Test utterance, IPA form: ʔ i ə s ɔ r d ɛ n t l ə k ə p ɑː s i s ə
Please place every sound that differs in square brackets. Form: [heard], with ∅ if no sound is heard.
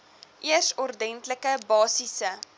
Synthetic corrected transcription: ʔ i ə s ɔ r d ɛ n t l ə k ə [b] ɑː s i s ə